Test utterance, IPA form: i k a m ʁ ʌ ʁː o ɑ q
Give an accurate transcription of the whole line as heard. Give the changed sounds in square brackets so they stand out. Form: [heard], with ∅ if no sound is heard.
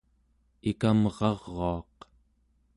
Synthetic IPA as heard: i k a m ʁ [ɑ] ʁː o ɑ q